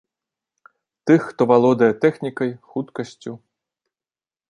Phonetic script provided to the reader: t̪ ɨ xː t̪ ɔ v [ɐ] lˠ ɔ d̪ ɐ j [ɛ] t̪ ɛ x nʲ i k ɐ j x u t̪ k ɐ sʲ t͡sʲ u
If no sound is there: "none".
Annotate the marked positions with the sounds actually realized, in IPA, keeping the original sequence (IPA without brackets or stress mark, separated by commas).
a, ɛ